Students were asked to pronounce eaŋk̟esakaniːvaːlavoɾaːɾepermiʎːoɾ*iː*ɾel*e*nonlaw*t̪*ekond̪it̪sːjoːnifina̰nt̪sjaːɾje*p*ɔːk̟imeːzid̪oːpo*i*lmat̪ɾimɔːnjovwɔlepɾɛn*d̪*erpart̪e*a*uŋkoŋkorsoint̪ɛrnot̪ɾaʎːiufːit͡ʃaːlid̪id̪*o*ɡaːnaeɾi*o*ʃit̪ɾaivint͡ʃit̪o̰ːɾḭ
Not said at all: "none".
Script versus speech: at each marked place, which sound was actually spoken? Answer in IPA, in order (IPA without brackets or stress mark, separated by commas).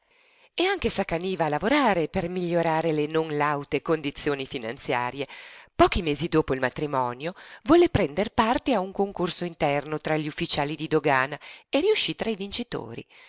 aː, e, t̪, p, i, d̪, a, o, u